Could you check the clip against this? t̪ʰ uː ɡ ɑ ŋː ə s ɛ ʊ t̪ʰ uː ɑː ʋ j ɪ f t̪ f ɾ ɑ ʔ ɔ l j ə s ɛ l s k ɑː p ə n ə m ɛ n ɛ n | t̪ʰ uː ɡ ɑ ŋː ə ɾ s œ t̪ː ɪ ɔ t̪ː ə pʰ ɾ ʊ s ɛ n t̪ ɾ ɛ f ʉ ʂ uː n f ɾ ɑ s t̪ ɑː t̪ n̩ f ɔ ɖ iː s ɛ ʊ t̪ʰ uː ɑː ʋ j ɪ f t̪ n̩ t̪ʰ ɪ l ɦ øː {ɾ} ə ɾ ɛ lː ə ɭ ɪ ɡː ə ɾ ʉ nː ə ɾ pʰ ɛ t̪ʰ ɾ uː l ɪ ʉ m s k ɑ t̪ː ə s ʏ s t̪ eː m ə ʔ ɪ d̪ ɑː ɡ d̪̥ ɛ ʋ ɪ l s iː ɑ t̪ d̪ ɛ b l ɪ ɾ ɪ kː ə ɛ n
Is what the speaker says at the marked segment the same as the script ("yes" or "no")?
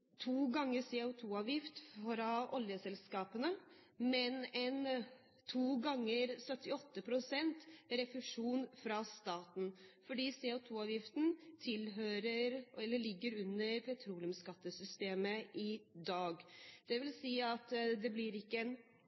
yes